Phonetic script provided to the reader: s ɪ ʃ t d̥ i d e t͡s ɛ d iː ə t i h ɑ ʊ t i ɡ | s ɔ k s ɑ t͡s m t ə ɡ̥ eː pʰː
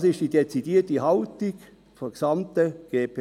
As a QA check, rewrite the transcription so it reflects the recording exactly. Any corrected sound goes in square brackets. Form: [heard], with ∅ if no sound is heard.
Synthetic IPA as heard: s ɪ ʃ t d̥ i d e t͡s [i] d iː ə t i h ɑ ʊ t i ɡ | [f] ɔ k s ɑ [∅] m t ə ɡ̥ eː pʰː